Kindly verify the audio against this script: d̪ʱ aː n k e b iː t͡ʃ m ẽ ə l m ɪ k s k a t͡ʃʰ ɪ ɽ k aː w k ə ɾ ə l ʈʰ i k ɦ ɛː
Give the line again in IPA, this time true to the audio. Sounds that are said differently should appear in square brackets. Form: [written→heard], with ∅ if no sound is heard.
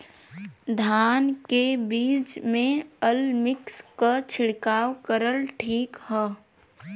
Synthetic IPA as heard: d̪ʱ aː n k e b iː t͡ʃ m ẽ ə l m ɪ k s k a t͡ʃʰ ɪ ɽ k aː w k ə ɾ ə l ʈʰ [i→iː] k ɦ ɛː